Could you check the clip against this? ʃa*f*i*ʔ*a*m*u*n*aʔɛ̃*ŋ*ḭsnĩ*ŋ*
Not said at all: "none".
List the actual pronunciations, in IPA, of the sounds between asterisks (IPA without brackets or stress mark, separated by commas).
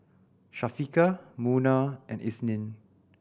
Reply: f, k, m, n, n, n